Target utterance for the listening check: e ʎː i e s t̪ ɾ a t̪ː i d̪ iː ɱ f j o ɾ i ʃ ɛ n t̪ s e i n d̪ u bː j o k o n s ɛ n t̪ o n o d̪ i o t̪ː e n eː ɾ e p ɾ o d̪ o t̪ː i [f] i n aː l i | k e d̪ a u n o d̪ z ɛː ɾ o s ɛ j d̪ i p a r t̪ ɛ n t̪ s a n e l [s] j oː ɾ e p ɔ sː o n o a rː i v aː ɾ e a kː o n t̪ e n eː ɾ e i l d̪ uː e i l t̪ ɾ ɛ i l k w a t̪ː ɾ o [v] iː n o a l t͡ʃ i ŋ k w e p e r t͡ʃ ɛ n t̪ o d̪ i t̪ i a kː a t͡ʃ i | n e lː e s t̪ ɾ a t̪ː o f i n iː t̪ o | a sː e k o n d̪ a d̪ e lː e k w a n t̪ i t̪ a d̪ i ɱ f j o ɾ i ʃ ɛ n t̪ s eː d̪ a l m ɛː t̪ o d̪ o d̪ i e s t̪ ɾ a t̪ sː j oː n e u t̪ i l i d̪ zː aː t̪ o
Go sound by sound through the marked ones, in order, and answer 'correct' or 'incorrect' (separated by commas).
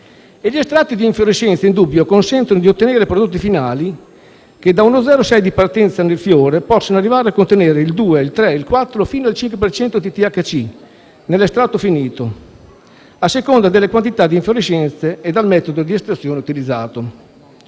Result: correct, incorrect, incorrect